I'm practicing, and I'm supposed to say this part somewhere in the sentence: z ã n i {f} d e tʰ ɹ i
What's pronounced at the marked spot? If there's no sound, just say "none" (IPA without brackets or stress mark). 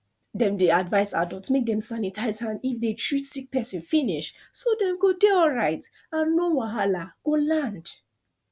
f